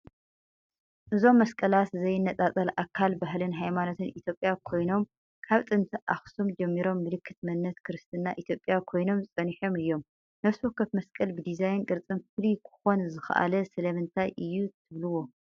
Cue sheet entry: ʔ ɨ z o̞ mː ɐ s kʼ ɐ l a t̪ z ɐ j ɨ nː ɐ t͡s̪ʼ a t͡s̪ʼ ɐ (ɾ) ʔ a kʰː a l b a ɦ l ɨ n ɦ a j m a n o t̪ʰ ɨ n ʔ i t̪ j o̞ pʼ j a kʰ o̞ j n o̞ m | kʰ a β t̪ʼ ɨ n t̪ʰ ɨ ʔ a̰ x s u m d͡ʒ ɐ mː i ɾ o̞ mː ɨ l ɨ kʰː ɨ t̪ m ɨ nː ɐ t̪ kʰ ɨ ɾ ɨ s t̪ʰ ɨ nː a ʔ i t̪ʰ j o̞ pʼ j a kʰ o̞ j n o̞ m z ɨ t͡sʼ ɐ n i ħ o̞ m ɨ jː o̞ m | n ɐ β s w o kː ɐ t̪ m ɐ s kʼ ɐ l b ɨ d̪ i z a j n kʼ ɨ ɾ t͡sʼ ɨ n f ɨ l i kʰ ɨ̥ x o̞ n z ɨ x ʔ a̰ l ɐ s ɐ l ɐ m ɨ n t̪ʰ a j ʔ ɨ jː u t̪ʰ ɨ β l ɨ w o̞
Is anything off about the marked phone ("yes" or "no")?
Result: yes